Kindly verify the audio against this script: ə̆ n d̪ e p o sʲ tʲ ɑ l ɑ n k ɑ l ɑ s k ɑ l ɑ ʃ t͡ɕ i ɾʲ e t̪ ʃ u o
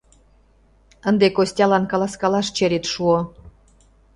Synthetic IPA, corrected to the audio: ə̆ n d̪ e k o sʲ tʲ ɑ l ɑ n k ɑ l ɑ s k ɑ l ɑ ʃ t͡ɕ e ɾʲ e t̪ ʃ u o